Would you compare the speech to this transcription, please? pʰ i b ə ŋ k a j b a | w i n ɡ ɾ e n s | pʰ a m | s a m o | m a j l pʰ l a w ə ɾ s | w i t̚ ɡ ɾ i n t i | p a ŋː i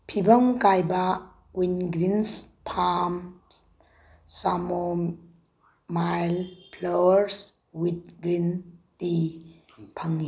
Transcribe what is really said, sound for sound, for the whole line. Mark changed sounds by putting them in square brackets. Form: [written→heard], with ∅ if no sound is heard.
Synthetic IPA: pʰ i b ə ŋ k a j b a | w i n ɡ ɾ [e→i] n s | pʰ a m | s a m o | m a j l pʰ l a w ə ɾ s | w i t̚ ɡ ɾ i n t i | [p→pʰ] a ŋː i